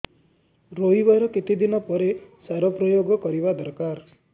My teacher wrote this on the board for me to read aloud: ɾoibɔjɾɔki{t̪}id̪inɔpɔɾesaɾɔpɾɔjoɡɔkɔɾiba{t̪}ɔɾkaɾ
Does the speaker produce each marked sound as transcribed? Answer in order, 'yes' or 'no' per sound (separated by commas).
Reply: yes, no